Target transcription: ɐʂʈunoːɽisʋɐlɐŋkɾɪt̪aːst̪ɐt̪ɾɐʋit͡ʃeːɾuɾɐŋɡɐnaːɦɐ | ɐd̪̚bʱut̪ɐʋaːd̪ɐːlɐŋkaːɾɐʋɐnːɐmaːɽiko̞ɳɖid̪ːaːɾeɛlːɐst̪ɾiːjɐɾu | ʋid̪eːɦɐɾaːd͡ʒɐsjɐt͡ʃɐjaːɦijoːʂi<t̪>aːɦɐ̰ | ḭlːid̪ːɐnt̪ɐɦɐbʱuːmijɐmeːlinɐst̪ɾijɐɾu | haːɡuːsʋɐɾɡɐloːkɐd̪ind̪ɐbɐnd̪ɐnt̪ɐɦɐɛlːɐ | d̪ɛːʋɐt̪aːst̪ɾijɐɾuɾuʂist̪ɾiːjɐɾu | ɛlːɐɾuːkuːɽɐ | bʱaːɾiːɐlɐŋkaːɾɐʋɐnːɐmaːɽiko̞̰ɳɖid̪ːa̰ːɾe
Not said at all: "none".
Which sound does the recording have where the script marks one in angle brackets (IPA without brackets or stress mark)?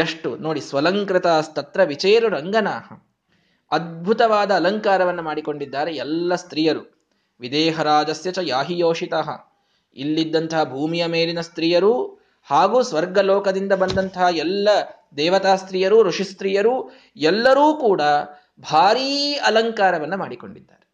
t̪